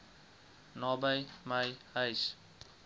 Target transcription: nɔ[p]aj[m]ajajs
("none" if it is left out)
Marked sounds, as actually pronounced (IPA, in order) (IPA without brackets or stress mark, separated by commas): b, m